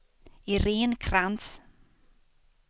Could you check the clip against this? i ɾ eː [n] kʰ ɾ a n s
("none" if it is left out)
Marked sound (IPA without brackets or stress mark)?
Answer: n